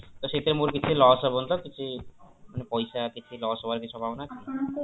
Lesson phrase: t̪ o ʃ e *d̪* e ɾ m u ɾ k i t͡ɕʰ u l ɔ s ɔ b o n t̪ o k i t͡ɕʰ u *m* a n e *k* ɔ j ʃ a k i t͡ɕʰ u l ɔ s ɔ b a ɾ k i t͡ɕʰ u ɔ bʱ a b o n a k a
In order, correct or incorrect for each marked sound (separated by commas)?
incorrect, correct, incorrect